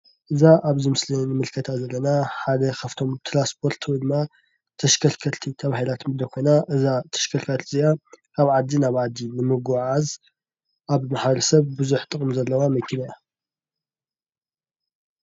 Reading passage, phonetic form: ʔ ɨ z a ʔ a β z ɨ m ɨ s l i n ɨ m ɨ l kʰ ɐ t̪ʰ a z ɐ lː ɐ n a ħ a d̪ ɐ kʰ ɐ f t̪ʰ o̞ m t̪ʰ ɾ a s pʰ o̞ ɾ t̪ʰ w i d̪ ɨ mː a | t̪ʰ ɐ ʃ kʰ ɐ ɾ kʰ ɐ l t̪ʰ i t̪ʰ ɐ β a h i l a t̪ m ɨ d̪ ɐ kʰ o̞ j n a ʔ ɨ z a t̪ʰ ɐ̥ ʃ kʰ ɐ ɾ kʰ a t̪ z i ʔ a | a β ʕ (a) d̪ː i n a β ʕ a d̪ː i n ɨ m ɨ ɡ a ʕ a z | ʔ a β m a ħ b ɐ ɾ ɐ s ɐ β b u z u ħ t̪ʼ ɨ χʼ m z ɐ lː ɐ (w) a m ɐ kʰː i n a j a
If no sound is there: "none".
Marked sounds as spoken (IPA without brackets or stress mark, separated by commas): a, w